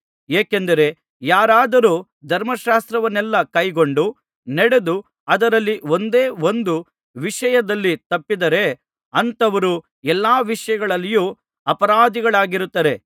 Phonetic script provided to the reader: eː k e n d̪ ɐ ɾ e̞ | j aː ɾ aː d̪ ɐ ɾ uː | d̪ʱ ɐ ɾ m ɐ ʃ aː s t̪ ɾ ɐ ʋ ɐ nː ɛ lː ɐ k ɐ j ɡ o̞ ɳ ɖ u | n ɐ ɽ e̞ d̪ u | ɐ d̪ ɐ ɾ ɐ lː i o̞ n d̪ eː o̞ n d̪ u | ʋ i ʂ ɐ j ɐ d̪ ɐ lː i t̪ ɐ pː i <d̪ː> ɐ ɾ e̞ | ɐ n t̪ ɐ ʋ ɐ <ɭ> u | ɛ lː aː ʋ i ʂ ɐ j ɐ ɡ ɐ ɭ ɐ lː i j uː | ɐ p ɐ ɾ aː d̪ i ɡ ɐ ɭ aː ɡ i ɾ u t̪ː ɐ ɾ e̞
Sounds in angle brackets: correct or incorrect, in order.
incorrect, incorrect

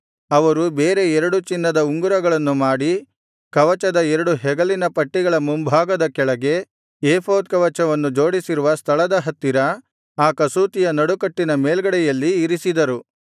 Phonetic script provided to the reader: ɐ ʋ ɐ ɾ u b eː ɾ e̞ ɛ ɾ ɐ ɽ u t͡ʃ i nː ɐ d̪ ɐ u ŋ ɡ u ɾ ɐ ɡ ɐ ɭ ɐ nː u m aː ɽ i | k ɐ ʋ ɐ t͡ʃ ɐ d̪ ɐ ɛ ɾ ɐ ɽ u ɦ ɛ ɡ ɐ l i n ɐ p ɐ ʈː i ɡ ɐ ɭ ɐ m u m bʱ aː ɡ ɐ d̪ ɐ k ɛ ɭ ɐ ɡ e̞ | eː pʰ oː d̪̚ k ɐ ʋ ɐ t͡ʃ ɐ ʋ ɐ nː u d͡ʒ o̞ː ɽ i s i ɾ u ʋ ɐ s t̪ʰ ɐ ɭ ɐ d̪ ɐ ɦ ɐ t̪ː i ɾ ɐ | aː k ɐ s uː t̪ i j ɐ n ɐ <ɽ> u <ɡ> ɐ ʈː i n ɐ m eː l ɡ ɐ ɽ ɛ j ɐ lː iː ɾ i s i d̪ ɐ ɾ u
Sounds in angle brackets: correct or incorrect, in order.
correct, incorrect

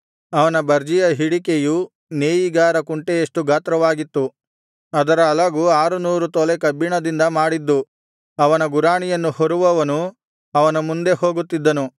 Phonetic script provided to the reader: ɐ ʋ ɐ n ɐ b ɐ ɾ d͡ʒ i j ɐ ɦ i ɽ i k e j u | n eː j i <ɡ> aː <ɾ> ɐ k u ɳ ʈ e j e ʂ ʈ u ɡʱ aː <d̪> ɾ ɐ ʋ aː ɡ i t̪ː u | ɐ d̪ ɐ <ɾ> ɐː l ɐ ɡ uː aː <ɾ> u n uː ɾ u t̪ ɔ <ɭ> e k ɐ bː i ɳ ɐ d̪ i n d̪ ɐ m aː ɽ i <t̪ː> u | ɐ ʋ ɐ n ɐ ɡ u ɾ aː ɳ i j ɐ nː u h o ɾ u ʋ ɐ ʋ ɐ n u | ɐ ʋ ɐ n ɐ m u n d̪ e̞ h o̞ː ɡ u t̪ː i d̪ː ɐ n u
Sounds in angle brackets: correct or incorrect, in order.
correct, correct, incorrect, correct, correct, incorrect, incorrect

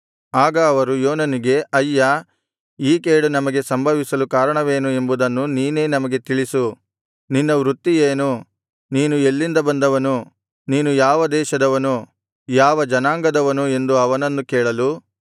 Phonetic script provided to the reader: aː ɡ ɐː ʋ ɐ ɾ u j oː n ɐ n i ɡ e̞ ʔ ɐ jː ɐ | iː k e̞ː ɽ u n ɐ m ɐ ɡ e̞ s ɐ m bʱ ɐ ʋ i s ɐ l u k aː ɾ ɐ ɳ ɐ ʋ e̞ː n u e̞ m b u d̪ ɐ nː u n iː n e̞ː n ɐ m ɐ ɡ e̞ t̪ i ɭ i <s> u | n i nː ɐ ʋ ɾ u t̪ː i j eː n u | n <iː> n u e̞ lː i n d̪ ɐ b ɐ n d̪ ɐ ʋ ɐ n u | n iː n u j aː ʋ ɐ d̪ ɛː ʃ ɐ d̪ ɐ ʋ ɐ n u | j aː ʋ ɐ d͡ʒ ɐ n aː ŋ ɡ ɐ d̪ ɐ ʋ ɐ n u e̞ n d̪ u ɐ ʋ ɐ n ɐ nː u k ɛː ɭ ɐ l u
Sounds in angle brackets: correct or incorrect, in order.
correct, correct

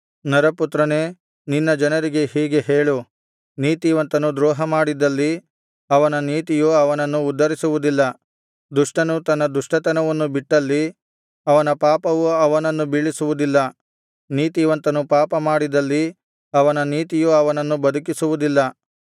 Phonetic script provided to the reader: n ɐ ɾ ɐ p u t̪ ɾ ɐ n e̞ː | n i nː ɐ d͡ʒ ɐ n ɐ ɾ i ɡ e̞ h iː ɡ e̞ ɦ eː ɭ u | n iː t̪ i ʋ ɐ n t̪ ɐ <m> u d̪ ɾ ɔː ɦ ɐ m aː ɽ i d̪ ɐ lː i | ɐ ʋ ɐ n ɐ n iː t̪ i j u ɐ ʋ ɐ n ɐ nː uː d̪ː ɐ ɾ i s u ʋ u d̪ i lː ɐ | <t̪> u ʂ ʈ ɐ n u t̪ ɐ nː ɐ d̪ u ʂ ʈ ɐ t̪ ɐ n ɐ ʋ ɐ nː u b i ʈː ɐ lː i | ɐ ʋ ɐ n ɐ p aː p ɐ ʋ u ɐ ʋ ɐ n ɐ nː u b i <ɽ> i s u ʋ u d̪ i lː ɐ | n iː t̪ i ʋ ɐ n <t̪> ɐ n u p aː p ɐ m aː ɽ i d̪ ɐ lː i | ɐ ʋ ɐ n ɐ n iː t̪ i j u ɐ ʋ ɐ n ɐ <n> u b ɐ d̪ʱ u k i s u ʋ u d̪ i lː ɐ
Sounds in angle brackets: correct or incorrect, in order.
incorrect, incorrect, incorrect, correct, incorrect

